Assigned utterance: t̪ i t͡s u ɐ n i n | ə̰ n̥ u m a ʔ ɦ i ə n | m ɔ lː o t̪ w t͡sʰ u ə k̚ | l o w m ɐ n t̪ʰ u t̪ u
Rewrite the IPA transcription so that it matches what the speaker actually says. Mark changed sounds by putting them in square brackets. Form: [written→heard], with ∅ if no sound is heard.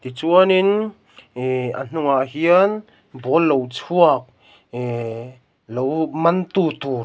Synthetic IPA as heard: t̪ i t͡s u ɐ n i n | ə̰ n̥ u [m→ŋ] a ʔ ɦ i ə n | [m→b] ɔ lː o [t̪→∅] w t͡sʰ u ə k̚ | l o w m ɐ n [t̪ʰ→t̪] u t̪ u